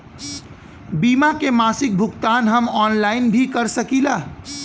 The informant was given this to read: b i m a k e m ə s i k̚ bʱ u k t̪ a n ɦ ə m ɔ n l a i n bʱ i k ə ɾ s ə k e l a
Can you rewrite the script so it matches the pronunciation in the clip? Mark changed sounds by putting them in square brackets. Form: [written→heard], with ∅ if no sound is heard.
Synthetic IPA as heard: b i m a k e m [ə→a] s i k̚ bʱ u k t̪ a n ɦ ə m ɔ n l a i n bʱ i k ə ɾ s ə k [e→i] l a

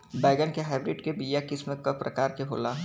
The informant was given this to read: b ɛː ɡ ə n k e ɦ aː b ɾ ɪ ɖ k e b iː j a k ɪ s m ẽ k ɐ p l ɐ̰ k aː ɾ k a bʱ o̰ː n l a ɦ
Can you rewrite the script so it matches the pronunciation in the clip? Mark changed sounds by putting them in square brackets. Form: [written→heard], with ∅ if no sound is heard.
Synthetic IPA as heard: b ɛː ɡ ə n k e ɦ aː b ɾ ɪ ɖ k e b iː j a k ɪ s m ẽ k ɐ p [l→ɾ] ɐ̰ k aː ɾ k [a→e] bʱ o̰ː [n→∅] l a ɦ

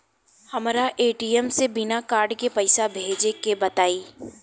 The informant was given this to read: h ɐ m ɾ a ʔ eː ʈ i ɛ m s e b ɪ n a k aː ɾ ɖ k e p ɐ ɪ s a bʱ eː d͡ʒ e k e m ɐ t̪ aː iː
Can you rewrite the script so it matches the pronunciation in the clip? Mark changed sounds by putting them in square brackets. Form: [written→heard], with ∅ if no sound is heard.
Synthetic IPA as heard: h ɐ m ɾ a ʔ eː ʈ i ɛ m s e b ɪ n a k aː ɾ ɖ k e p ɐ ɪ s a bʱ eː d͡ʒ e k e [m→b] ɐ t̪ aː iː

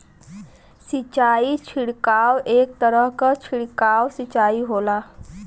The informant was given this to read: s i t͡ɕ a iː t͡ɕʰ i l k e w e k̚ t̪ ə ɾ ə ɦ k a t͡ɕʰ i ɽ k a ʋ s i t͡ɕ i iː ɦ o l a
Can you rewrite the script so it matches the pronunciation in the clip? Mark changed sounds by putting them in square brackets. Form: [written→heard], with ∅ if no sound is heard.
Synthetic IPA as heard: s i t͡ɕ a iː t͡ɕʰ i [l→ɽ] k [e→a] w e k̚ t̪ ə ɾ ə ɦ k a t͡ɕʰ i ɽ k a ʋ s i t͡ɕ [i→a] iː ɦ o l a

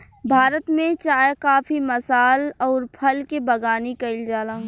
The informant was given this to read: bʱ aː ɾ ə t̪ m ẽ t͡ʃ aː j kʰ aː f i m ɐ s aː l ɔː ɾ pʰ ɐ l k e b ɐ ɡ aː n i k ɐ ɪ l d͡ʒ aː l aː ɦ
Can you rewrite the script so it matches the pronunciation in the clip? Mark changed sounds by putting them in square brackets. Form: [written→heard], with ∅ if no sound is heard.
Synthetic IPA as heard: bʱ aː ɾ ə t̪ m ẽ t͡ʃ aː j [kʰ→k] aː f i m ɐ s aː l ɔː ɾ pʰ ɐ l k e b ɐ ɡ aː n i k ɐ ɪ l d͡ʒ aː l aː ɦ

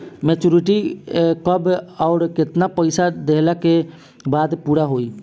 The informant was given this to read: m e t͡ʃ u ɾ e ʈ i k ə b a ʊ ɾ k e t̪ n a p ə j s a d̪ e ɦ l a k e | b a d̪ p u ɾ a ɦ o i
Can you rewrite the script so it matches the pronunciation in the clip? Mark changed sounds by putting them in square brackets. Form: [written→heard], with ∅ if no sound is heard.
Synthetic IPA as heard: m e t͡ʃ u ɾ [e→i] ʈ i k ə b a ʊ ɾ k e t̪ n a p ə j s a d̪ e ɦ l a k e | b a d̪ p u ɾ a ɦ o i

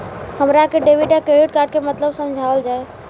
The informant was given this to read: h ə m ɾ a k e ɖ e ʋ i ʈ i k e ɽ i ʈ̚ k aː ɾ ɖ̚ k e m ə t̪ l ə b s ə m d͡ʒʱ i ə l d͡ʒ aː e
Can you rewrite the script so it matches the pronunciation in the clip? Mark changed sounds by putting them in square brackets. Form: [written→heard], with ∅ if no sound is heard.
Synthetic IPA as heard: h ə m ɾ a k e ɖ e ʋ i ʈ [i→a] k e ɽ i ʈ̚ k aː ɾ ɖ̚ k e m ə t̪ l ə b s ə m d͡ʒʱ [i→a] ə l d͡ʒ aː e

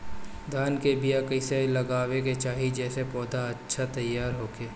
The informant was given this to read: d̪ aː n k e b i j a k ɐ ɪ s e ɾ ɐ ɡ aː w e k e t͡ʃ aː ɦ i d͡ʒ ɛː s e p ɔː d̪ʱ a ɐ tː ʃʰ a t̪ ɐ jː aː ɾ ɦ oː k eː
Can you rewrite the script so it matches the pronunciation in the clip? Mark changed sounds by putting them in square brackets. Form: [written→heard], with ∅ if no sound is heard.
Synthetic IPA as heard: d̪ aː n k e b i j a k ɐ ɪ s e [ɾ→l] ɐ ɡ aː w e k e t͡ʃ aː ɦ i d͡ʒ ɛː s e p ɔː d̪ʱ a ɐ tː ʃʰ a t̪ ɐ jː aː ɾ ɦ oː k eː

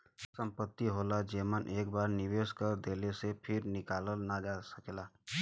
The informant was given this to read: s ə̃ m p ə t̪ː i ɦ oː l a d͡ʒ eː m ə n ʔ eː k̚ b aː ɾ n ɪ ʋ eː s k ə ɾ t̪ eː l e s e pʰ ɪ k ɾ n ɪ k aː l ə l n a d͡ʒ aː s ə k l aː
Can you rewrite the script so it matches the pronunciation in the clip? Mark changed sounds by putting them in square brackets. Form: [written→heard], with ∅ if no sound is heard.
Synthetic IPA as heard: s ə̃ m p ə t̪ː i ɦ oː l a d͡ʒ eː m ə n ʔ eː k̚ b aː ɾ n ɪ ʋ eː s k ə ɾ [t̪→d̪] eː l e s e pʰ ɪ [k→∅] ɾ n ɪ k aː l ə l n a d͡ʒ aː s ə k l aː

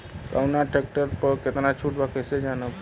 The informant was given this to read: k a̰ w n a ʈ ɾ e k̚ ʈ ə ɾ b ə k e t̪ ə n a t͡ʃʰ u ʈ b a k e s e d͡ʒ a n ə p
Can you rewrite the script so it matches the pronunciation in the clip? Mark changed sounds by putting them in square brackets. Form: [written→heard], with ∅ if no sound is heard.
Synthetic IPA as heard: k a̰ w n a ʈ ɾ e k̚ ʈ ə ɾ [b→p] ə k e t̪ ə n a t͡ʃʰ u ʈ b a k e s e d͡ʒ a n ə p

